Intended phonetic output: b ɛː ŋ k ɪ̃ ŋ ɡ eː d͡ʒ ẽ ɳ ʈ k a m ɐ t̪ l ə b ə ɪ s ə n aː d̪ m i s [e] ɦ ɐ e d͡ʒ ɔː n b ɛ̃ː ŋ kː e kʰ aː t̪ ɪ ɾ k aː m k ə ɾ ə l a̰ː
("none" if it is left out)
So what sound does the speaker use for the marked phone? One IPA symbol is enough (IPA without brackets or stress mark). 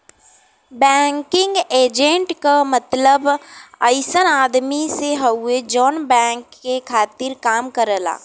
e